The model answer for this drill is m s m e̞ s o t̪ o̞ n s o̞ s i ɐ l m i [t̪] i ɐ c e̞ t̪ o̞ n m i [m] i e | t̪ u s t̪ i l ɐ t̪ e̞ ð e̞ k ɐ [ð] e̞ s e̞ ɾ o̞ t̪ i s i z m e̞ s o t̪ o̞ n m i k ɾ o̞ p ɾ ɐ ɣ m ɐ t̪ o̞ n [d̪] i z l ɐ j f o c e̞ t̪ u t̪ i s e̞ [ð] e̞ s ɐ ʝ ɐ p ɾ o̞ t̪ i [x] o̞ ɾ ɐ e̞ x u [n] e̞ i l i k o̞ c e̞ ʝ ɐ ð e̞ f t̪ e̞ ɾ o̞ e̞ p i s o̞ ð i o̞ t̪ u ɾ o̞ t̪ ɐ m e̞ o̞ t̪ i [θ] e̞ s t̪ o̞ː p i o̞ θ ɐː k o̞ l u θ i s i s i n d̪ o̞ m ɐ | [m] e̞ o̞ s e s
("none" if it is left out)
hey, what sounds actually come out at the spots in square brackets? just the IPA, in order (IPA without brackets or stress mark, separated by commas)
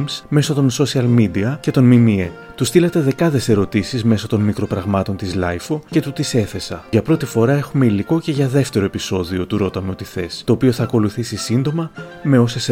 d̪, m, ð, t̪, θ, f, m, θ, m